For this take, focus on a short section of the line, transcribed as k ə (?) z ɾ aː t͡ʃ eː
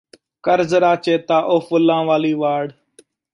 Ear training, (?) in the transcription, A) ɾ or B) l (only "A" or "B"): A